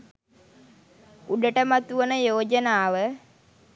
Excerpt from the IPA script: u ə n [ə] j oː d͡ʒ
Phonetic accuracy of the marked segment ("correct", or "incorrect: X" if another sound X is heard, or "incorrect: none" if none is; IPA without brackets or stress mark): correct